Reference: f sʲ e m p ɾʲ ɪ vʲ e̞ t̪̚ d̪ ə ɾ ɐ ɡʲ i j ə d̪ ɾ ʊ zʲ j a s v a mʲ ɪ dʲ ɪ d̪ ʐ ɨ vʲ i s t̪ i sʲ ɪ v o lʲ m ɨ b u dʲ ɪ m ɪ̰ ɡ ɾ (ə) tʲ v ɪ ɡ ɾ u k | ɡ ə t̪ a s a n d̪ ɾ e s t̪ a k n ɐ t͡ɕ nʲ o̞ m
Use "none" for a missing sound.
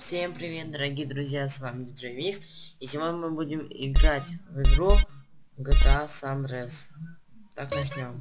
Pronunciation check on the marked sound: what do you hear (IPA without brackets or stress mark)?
a